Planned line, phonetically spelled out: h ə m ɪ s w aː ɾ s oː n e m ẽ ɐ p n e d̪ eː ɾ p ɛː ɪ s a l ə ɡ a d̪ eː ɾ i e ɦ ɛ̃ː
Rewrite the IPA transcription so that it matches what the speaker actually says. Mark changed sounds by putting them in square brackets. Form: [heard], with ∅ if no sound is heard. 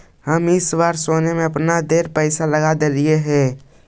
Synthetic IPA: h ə m ɪ s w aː ɾ s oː n e m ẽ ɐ p n [a] d̪ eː ɾ p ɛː ɪ s a l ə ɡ a d̪ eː ɾ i e ɦ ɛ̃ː

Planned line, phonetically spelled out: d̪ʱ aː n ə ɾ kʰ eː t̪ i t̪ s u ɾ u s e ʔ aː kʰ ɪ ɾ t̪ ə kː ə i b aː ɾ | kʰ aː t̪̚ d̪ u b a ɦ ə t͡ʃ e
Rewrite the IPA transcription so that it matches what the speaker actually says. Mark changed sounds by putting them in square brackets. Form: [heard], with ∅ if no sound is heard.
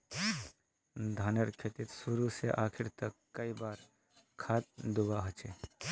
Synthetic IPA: d̪ʱ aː n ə ɾ kʰ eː t̪ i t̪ s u ɾ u s e ʔ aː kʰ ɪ ɾ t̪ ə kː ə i b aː ɾ | kʰ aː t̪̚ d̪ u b a ɦ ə t͡ʃ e

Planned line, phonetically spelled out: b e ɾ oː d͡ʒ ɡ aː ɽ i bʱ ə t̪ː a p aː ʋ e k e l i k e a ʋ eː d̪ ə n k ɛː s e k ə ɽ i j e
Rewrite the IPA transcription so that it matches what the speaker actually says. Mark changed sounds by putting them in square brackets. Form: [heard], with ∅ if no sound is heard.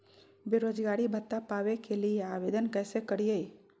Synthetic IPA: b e ɾ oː d͡ʒ ɡ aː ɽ i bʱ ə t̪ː a p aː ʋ e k e l i [∅] e a ʋ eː d̪ ə n k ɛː s e k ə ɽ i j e

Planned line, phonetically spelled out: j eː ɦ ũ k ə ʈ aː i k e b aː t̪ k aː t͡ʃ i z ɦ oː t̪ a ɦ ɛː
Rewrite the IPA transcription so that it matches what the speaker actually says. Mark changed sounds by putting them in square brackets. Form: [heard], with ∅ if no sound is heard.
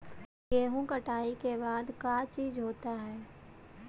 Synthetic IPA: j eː ɦ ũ k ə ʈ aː i k e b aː [d̪] k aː t͡ʃ [iː] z ɦ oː t̪ a ɦ ɛː

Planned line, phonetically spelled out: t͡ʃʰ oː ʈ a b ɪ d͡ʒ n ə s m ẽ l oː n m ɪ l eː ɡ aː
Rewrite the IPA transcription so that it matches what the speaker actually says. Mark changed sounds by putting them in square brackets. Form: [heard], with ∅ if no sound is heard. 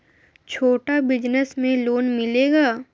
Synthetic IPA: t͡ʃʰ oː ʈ a b ɪ d͡ʒ n ə s m ẽ l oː n m ɪ l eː ɡ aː

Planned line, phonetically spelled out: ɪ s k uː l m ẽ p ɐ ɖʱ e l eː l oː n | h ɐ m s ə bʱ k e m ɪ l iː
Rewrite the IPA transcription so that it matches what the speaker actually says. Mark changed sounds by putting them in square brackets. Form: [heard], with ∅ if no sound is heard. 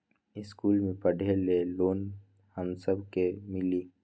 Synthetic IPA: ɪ s k uː l m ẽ p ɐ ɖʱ e l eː l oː n | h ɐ m s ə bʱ k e m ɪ l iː

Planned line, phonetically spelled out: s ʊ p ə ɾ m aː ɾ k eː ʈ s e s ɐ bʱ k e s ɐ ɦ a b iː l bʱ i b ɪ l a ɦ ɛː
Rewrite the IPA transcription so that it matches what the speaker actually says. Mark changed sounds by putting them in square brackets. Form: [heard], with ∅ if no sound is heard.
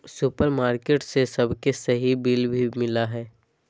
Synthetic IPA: s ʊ p ə ɾ m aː ɾ k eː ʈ s e s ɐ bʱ k e s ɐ ɦ [i] b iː l bʱ i [m] ɪ l a ɦ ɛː

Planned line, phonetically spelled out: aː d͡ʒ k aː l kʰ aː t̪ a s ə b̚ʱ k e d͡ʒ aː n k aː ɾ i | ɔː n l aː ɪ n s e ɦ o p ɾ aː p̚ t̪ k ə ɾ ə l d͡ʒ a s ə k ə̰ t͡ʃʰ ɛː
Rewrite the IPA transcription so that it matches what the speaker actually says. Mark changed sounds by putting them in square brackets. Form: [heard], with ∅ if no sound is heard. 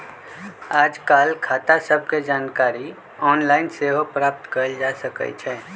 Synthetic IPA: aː d͡ʒ k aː l kʰ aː t̪ a s ə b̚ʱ k e d͡ʒ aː n k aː ɾ i | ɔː n l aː ɪ n s e ɦ o p ɾ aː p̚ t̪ k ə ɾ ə l d͡ʒ a s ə k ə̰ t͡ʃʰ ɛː

